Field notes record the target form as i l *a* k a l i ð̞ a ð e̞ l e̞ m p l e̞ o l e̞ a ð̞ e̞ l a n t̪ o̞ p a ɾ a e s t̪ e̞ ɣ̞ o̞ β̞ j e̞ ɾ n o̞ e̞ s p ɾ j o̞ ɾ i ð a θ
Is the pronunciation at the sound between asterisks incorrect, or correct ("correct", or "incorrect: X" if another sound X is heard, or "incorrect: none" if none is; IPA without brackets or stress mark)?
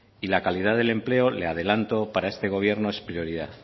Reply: correct